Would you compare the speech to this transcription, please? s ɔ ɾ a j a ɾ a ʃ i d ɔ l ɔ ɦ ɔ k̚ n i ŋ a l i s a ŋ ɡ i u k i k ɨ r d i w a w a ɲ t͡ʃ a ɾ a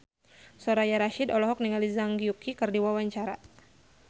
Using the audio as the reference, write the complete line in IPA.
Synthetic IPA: s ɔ ɾ a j a ɾ a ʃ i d ɔ l ɔ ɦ ɔ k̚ n i ŋ a l i z a ŋ ɡ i u k i k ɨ r d i w a w a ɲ t͡ʃ a ɾ a